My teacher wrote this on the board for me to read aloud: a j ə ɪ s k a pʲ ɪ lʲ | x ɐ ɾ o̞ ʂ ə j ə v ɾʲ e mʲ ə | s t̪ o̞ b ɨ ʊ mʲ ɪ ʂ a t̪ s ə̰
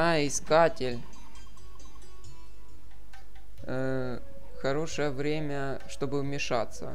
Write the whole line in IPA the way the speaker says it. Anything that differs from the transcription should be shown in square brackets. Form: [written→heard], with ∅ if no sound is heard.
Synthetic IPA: a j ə ɪ s k a [pʲ→tʲ] ɪ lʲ | x ɐ ɾ o̞ ʂ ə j ə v ɾʲ e mʲ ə | [s→ʂ] t̪ o̞ b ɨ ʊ mʲ ɪ ʂ a t̪ s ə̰